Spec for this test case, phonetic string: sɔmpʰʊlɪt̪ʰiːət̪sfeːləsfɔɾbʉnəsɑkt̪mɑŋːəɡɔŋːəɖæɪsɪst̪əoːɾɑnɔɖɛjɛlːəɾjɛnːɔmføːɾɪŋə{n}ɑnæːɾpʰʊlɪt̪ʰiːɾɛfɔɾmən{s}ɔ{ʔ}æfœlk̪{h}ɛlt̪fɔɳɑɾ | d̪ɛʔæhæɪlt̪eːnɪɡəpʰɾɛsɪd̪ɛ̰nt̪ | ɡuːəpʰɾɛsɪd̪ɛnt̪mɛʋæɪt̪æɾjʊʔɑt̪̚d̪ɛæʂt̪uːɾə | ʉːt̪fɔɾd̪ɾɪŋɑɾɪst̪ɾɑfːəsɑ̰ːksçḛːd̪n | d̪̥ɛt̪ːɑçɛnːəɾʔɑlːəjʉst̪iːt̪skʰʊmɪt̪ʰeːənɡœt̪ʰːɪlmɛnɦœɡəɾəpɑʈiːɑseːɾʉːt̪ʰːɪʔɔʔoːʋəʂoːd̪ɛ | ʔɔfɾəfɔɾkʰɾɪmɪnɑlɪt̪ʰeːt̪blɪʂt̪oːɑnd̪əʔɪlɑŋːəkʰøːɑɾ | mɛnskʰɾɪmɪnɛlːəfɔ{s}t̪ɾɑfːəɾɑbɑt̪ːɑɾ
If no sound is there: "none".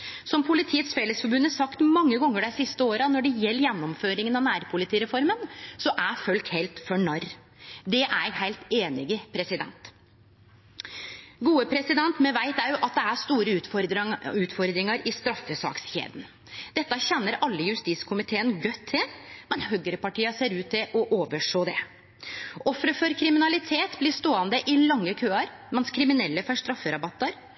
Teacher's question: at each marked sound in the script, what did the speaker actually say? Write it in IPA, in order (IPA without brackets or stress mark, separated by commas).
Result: n, s, ʔ, h, ʂ